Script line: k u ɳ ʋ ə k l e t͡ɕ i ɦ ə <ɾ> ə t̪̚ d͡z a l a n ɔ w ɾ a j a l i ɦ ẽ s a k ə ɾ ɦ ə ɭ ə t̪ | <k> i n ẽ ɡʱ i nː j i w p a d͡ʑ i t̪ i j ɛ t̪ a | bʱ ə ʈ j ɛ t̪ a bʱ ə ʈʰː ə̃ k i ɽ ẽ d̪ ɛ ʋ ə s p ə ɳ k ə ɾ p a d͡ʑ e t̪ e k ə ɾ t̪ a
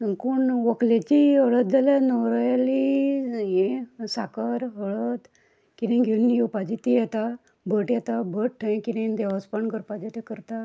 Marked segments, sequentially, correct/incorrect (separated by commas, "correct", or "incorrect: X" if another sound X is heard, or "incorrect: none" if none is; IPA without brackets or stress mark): incorrect: ɭ, correct